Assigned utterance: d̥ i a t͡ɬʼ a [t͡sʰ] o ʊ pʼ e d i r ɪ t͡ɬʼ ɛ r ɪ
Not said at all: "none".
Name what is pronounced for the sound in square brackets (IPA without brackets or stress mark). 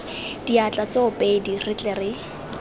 t͡s